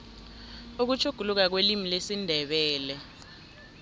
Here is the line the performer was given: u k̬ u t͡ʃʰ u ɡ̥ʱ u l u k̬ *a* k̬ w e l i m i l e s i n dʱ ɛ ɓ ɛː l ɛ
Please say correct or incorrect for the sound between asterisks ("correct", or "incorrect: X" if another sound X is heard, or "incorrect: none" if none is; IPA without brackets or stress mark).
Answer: correct